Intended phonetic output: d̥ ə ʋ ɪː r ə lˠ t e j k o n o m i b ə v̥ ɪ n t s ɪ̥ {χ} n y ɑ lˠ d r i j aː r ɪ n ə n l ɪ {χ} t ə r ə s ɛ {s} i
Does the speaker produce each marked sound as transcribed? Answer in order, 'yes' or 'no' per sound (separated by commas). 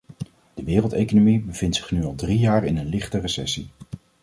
yes, yes, yes